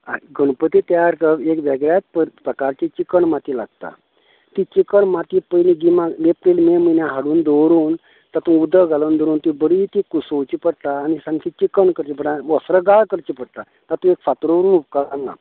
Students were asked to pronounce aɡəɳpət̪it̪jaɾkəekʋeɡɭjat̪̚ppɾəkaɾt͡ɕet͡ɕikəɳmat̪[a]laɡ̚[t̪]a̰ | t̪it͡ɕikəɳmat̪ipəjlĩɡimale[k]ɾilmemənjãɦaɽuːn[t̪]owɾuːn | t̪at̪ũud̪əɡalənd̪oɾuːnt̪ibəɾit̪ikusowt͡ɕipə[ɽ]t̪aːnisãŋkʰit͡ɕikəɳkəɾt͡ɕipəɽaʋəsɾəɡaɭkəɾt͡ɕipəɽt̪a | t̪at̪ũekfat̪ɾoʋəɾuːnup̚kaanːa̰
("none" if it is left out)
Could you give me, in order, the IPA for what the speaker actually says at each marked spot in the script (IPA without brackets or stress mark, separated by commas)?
i, t̪, p, d̪, ɽ